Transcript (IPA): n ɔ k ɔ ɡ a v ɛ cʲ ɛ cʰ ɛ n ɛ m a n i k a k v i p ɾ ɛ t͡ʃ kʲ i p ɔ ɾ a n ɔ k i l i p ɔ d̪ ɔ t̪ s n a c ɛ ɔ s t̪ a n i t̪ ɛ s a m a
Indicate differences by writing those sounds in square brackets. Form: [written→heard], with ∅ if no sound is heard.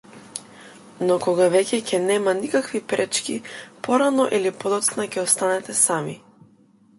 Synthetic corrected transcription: n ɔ k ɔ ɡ a v ɛ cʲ ɛ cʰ ɛ n ɛ m a n i k a k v i p ɾ ɛ t͡ʃ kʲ i p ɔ ɾ a n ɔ [k→ʔ] i l i p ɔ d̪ ɔ t̪ s n a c ɛ ɔ s t̪ a n [i→ɛ] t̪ ɛ s a m [a→i]